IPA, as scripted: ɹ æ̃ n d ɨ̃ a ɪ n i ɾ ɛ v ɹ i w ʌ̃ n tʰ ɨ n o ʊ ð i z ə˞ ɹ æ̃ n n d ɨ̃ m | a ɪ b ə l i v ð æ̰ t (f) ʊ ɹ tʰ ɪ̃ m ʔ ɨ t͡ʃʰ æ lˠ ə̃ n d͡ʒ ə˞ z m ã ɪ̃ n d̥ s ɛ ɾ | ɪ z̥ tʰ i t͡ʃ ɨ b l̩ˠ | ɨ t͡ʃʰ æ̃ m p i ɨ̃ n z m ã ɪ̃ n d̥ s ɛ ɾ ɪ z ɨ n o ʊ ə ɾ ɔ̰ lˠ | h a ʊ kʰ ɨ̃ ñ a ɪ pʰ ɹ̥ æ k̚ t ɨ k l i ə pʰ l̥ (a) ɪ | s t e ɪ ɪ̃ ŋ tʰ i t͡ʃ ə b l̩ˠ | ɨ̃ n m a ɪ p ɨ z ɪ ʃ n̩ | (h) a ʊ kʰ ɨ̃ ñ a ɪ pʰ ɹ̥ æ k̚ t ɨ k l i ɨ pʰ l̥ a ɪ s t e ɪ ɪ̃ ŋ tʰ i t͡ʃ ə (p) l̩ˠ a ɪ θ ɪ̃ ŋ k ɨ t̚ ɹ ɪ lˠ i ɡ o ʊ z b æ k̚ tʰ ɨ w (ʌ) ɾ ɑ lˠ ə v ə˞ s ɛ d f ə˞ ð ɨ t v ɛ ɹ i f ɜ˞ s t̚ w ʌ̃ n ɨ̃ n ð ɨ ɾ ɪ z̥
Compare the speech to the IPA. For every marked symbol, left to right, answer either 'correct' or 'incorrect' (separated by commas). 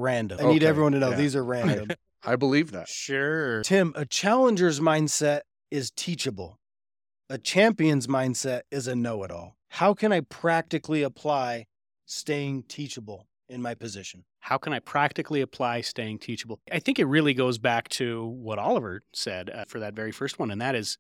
incorrect, correct, correct, incorrect, correct